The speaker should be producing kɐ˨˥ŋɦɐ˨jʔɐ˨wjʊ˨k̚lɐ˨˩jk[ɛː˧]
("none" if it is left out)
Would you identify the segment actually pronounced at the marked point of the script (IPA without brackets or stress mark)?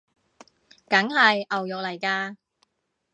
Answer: aː˧